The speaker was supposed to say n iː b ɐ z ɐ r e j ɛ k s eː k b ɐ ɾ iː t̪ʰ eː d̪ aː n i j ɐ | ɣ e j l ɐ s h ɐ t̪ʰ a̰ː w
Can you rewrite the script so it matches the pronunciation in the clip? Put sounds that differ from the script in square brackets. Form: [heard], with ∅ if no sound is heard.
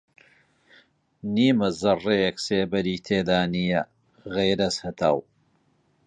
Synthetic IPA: n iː [m] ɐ z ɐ r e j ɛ k s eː [∅] b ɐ ɾ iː t̪ʰ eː d̪ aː n i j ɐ | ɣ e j [ɾ] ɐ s h ɐ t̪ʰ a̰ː w